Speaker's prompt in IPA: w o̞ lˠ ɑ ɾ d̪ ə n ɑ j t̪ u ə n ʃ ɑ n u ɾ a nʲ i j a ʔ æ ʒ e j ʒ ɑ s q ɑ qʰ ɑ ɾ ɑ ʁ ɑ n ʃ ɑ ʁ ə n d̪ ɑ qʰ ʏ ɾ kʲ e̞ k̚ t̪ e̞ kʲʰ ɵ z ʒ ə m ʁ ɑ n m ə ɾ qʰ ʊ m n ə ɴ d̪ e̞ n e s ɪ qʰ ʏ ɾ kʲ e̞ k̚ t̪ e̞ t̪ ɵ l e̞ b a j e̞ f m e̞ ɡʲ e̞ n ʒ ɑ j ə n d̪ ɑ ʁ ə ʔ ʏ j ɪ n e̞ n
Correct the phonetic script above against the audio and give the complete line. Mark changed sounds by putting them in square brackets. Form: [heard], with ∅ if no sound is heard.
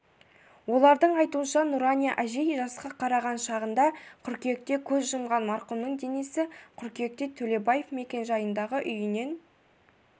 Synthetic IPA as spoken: w o̞ lˠ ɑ ɾ d̪ ə [ɴ] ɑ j t̪ u ə n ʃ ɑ n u ɾ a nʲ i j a ʔ æ ʒ e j ʒ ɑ s q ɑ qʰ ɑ ɾ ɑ ʁ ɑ n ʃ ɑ ʁ ə n d̪ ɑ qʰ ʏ ɾ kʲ e̞ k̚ t̪ e̞ kʲʰ ɵ z ʒ ə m ʁ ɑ n m [ɑ] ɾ [q] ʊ m n ə ɴ d̪ e̞ n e s ɪ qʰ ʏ ɾ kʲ e̞ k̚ t̪ e̞ [t̪ʰ] ɵ l e̞ b a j e̞ f m e̞ [kʲ] e̞ n ʒ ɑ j ə n d̪ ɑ ʁ ə ʔ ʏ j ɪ n e̞ n